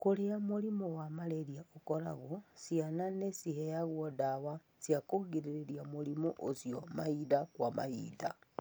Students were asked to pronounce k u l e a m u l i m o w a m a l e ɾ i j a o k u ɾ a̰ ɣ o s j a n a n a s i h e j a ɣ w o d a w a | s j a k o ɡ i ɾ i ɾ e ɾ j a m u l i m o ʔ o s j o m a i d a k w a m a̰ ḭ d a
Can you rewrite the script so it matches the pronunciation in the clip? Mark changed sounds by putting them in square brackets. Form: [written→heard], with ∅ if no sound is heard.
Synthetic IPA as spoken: k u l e a m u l i m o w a m a l e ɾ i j a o k [u→o] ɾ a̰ ɣ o s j a n a n [a→e] s i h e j a ɣ w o d a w a | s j a k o ɡ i ɾ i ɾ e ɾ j a m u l i m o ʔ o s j o m a i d a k w a m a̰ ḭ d a